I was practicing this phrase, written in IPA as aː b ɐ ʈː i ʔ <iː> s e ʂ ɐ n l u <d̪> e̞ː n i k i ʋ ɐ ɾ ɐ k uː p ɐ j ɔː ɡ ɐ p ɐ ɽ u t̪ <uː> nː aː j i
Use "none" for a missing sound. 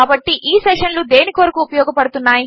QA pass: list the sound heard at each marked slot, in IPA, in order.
iː, d̪, u

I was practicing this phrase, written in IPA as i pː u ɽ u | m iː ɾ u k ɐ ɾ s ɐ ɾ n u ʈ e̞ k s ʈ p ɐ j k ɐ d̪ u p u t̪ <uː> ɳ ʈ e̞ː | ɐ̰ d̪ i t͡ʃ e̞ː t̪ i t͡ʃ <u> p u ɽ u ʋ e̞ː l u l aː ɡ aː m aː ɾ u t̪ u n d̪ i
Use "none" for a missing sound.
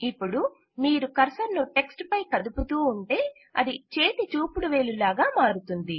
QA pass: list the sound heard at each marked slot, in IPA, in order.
uː, uː

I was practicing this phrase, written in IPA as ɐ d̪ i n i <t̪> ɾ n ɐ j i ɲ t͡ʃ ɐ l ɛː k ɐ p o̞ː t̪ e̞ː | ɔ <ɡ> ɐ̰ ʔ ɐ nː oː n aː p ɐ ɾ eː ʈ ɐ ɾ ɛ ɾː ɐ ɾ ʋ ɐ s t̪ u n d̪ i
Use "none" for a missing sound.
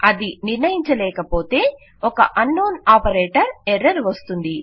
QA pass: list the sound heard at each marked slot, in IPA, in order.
none, k

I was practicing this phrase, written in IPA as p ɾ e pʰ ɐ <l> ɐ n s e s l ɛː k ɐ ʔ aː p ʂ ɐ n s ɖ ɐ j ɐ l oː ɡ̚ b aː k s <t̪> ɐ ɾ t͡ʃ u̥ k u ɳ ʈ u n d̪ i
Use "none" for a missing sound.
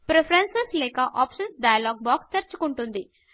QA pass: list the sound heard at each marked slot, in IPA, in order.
ɾ, t̪

